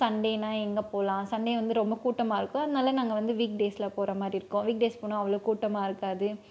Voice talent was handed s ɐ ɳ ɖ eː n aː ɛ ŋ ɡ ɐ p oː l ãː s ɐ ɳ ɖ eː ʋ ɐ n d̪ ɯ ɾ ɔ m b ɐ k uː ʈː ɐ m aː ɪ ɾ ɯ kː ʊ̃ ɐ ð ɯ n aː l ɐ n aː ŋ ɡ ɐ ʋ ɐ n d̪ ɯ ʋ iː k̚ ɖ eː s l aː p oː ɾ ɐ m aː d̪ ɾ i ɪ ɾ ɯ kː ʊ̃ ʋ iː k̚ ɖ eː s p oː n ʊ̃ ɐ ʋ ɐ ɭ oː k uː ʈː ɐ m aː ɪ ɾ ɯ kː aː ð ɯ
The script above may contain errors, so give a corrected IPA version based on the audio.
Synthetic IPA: s ɐ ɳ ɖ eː n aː ɛ ŋ ɡ ɐ p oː l ãː s ɐ ɳ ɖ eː ʋ ɐ n d̪ ɯ ɾ ɔ m b ɐ k uː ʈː ɐ m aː ɪ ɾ ɯ kː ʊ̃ ɐ ð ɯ n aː l ɐ n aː ŋ ɡ ɐ ʋ ɐ n d̪ ɯ ʋ iː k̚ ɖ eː s l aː p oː ɾ ɐ m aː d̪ ɾ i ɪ ɾ ɯ kː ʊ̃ ʋ iː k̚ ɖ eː s p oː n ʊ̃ ɐ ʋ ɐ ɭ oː k uː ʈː ɐ m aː ɪ ɾ ɯ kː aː ð ɯ